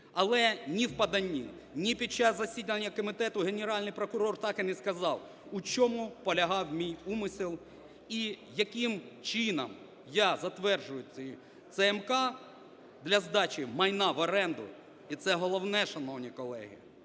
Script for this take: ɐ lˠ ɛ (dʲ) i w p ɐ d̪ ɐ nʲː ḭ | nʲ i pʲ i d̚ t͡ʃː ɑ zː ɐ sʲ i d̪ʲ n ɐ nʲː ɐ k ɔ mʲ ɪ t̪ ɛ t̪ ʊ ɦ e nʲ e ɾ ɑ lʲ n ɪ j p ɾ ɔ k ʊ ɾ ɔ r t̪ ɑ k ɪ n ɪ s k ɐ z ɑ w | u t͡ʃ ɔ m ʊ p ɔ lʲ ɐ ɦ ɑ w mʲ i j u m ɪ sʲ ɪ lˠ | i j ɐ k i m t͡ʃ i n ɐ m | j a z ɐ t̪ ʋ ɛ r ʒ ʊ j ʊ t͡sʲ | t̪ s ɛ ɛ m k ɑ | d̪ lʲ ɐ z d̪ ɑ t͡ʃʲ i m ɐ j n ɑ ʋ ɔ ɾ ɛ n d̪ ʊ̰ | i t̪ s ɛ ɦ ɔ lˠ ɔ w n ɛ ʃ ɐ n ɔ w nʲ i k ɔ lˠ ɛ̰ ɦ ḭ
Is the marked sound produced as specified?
no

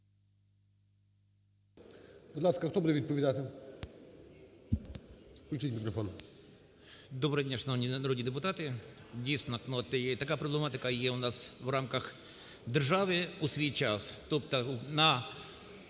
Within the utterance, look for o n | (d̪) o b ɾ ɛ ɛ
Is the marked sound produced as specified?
yes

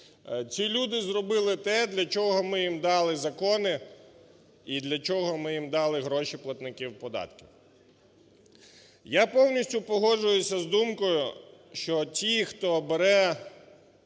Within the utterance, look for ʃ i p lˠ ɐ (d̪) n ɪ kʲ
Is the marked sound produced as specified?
no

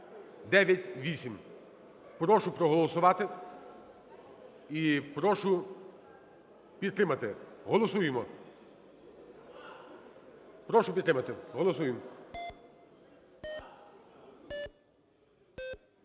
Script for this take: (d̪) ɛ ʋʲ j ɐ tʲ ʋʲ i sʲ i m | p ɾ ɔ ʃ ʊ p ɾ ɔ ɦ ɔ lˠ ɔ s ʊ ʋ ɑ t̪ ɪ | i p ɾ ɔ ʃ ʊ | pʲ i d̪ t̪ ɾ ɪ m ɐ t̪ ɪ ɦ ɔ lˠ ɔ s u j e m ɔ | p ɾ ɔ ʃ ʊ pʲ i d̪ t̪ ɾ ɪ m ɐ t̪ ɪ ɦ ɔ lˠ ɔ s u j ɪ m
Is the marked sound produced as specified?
yes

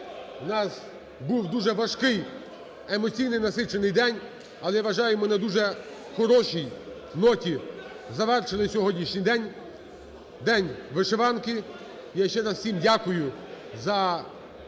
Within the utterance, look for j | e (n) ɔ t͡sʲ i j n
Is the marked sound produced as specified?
no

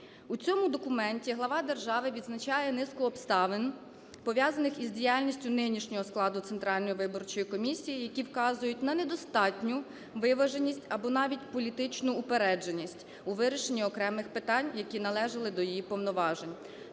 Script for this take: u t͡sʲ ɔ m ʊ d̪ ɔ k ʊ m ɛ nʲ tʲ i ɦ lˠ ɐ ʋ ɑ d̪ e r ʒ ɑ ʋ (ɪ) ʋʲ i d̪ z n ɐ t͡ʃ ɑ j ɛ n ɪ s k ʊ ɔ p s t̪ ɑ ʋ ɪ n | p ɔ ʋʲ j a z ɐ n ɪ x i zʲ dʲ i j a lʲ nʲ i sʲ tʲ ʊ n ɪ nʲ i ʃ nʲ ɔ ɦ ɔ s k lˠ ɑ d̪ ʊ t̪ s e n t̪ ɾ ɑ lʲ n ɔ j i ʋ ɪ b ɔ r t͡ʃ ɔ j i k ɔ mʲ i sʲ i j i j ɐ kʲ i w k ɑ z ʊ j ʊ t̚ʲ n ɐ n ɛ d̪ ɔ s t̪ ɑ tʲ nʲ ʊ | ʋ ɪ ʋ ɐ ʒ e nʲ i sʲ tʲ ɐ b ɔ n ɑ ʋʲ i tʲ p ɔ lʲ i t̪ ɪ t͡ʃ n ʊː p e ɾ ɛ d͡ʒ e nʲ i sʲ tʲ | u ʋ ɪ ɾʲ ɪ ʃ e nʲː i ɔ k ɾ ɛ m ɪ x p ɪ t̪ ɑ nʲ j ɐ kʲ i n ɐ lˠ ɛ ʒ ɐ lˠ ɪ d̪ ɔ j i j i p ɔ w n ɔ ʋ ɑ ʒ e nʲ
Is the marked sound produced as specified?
yes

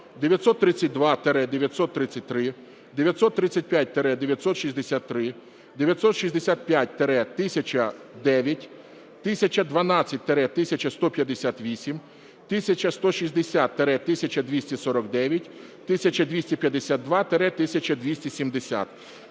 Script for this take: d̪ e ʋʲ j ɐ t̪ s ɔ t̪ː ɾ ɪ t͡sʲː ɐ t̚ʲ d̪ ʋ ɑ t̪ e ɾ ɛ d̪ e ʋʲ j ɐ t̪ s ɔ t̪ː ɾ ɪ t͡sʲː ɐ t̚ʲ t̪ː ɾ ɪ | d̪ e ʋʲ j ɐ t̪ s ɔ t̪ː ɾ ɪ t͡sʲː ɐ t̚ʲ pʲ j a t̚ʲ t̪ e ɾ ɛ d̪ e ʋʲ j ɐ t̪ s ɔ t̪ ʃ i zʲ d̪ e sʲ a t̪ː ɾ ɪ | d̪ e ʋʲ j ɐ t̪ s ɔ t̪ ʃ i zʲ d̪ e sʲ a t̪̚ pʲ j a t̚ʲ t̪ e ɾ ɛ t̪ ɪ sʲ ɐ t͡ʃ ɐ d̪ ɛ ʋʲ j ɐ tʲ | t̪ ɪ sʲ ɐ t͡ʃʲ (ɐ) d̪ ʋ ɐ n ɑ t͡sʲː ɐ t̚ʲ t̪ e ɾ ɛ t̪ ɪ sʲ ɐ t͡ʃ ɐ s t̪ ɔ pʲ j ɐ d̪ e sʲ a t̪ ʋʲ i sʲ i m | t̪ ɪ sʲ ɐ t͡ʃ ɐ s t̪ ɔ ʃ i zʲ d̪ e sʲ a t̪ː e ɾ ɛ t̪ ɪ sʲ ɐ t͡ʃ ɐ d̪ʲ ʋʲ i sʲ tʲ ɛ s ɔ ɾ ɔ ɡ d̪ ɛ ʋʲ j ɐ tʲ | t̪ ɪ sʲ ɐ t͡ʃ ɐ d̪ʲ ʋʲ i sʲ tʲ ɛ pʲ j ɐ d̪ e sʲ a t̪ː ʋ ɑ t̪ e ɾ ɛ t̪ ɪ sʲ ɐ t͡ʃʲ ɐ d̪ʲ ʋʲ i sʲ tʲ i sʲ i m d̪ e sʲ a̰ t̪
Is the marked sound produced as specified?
yes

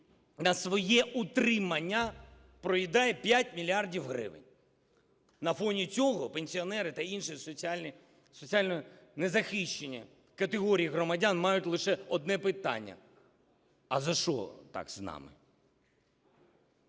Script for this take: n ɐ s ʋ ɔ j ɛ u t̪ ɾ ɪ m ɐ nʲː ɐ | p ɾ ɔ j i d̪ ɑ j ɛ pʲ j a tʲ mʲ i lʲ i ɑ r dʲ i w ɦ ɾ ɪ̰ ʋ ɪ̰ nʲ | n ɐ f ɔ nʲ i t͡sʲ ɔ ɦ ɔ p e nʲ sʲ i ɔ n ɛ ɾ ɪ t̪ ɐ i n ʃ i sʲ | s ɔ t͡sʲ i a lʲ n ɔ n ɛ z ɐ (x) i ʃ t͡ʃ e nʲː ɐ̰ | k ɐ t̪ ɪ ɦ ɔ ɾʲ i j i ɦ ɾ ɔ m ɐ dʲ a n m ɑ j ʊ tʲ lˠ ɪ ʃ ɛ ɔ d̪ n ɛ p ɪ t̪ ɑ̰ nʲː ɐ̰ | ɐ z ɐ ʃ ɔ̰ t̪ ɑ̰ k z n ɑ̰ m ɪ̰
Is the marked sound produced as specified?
yes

